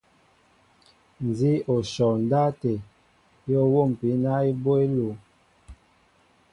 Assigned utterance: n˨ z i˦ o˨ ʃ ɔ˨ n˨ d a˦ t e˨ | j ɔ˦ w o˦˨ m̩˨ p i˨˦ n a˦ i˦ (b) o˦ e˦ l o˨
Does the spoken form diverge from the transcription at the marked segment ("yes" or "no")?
no